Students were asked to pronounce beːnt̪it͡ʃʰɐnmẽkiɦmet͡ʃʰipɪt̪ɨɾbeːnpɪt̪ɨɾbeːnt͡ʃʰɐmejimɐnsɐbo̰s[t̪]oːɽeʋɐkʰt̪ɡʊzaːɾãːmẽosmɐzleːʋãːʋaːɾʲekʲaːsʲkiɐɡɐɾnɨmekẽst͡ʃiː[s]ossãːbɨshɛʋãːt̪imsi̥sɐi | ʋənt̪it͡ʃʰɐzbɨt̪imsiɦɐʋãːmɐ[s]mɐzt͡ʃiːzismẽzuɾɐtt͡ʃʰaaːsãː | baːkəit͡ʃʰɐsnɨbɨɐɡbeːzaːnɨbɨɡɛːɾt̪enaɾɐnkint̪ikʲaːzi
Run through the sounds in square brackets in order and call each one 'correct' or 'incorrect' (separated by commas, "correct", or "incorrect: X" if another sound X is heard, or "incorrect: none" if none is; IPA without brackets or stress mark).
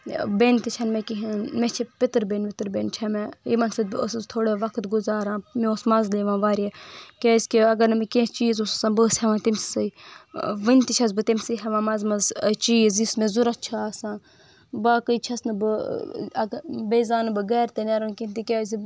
incorrect: t̪ʰ, incorrect: z, incorrect: z